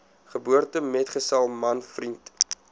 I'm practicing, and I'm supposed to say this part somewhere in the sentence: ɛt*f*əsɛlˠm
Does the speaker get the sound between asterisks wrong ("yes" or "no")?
yes